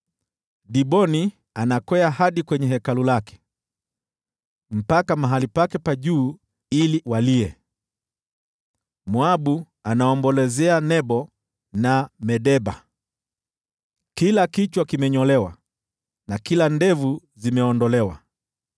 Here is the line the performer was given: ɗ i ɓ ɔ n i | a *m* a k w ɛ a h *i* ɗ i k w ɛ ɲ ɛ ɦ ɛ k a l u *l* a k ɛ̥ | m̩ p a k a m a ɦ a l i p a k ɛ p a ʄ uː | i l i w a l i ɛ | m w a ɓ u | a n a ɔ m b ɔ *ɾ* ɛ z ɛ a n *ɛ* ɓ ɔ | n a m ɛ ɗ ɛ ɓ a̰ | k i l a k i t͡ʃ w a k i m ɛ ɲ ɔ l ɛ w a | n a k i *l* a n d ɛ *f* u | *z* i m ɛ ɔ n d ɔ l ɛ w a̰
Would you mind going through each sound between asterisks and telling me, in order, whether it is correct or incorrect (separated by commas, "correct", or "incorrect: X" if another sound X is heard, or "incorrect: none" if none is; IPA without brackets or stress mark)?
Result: incorrect: n, incorrect: a, correct, incorrect: l, correct, correct, incorrect: v, correct